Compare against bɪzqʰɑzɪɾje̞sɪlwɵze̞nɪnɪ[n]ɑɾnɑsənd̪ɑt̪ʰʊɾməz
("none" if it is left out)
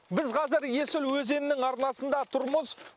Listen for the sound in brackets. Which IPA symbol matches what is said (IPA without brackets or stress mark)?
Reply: ŋ